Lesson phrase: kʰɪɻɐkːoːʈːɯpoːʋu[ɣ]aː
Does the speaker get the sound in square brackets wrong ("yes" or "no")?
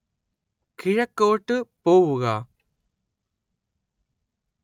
no